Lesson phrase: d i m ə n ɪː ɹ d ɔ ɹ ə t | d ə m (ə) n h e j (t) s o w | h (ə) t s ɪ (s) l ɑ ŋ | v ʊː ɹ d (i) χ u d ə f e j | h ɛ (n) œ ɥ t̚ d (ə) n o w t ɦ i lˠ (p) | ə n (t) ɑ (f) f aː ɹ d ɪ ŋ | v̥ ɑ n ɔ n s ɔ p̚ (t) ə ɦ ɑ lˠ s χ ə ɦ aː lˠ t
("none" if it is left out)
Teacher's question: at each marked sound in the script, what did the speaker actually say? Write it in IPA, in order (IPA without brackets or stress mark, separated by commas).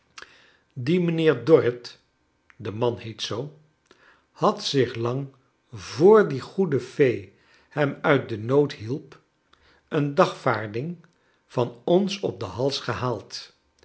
ɑ, t, ɑ, χ, i, m, ə, p, d, χ, d